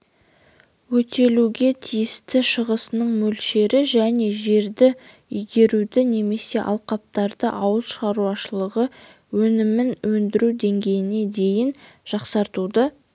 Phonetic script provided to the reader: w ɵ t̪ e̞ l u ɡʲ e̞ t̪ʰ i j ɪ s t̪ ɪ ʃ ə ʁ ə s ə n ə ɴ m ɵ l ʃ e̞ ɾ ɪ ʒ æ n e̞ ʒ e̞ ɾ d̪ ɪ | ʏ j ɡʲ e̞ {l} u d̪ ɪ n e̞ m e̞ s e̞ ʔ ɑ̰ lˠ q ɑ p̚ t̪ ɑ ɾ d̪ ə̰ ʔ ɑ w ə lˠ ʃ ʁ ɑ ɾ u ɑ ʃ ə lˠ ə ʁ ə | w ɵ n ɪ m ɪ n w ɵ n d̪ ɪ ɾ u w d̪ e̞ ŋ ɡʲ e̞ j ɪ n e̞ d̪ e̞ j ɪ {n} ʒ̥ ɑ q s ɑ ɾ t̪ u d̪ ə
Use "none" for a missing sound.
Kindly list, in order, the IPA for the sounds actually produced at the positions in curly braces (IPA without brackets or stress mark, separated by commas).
ɾ, n